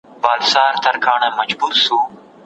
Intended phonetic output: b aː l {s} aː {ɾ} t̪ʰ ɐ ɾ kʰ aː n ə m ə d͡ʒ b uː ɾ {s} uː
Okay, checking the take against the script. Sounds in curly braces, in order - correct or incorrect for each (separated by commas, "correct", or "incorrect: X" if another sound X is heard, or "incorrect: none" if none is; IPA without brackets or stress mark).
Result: correct, correct, correct